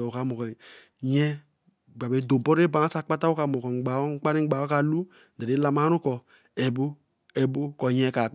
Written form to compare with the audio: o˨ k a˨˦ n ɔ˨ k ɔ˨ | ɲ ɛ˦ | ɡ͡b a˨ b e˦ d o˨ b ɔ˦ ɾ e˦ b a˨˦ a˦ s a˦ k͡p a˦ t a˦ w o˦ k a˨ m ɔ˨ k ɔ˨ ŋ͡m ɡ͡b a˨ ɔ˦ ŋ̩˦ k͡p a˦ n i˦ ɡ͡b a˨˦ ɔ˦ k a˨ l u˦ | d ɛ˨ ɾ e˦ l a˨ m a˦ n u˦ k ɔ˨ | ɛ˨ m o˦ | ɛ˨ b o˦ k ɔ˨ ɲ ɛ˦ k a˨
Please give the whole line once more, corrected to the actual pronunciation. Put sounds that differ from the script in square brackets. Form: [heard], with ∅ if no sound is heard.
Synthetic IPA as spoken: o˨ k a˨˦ [m] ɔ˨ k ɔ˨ | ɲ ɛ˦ | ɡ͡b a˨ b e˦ d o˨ b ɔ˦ ɾ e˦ b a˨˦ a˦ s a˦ k͡p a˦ t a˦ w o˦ k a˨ m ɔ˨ k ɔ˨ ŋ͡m ɡ͡b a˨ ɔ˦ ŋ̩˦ k͡p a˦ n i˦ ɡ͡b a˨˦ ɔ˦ k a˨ l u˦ | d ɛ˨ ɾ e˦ l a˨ m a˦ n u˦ k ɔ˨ | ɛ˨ [b] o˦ | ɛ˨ b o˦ k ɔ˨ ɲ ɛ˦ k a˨